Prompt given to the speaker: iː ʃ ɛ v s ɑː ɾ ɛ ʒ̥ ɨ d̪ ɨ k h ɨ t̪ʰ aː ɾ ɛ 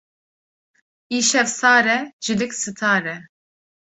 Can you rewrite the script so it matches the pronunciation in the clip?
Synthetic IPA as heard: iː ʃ ɛ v s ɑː ɾ ɛ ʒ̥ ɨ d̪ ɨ k s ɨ t̪ʰ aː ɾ ɛ